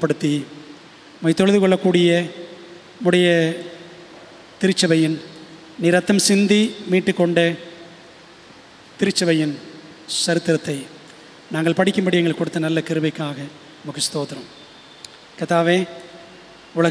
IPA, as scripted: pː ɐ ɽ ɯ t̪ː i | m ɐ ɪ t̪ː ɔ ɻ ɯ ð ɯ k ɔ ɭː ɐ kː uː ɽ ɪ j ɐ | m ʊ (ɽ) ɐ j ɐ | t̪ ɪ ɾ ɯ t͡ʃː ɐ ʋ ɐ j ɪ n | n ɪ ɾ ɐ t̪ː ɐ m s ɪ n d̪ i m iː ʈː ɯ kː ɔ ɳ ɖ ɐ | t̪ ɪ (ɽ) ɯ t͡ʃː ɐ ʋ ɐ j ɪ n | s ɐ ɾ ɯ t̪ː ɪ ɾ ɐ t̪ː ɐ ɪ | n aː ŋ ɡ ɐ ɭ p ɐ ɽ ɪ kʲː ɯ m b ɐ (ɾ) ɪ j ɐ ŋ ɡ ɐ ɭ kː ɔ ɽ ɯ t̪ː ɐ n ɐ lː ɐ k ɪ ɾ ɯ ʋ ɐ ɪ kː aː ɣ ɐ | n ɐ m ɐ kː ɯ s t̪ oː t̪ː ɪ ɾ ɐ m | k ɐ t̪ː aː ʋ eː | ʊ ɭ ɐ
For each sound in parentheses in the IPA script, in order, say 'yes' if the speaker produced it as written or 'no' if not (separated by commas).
yes, no, no